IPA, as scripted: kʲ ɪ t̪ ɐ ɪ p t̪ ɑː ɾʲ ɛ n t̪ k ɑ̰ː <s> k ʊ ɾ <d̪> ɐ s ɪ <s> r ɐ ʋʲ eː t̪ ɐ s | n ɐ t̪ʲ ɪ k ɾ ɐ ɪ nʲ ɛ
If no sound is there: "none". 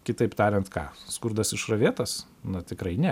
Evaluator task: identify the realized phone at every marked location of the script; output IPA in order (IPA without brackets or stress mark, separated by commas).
s, d̪, ʃ